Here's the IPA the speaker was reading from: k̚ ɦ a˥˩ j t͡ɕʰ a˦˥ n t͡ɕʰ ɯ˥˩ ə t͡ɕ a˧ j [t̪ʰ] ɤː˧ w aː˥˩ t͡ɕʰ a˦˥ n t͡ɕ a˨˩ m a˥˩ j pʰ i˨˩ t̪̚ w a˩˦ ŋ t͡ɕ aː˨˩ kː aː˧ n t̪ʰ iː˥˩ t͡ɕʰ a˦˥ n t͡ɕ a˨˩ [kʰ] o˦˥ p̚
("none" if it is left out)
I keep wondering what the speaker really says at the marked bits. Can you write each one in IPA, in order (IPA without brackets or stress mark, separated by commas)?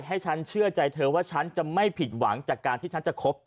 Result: t̪ʰ, kʰ